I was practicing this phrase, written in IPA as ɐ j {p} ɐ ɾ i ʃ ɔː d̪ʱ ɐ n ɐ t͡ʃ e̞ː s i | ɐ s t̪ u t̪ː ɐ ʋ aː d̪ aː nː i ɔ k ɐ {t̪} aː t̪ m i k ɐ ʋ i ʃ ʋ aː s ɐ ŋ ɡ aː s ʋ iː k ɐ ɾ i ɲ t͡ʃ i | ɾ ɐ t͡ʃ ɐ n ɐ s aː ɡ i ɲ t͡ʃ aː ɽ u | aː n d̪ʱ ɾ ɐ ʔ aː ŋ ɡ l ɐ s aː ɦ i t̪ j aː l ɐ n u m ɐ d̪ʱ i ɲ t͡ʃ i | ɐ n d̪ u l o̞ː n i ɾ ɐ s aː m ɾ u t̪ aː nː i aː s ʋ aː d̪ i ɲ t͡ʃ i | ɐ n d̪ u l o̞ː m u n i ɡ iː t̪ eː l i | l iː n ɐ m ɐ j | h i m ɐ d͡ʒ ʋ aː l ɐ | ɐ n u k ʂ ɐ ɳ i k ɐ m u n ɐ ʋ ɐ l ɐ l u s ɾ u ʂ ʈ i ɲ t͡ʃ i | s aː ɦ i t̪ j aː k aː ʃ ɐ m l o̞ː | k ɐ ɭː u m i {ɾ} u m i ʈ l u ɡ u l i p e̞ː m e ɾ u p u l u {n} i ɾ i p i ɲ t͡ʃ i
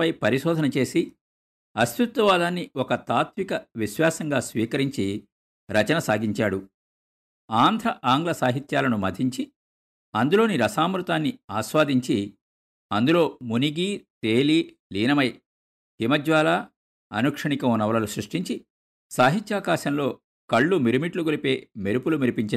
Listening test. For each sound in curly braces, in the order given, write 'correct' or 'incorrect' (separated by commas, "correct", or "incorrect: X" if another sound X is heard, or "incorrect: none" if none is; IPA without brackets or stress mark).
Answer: correct, correct, correct, incorrect: m